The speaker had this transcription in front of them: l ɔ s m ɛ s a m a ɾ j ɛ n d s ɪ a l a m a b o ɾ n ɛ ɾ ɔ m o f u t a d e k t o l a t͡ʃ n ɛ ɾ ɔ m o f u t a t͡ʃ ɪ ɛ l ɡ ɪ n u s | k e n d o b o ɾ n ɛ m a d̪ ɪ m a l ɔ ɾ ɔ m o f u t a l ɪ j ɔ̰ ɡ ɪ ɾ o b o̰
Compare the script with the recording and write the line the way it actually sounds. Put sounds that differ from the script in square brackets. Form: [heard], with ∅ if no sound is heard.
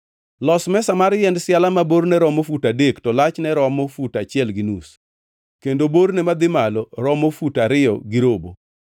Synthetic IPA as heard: l ɔ s m ɛ s a m a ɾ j ɛ n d s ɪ a l a m a b o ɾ n ɛ ɾ ɔ m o f u t a d e k t [ɔ] l a t͡ʃ n ɛ ɾ ɔ m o f u t a t͡ʃ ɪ ɛ l ɡ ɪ n u s | k e n d o b o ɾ n ɛ m a d̪ ɪ m a l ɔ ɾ ɔ m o f u t a [ɾ] ɪ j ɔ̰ ɡ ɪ ɾ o b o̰